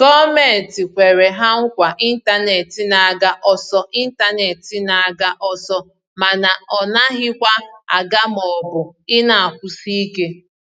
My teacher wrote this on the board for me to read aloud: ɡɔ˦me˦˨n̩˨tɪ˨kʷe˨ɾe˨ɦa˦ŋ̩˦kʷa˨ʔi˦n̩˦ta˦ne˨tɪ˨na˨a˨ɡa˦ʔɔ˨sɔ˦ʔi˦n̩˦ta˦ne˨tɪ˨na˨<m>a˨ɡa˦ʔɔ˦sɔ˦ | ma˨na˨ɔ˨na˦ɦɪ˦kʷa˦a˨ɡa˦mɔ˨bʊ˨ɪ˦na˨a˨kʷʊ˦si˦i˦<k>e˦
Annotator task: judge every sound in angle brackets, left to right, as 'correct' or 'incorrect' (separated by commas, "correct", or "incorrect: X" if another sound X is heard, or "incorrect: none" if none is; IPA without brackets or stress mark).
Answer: incorrect: none, correct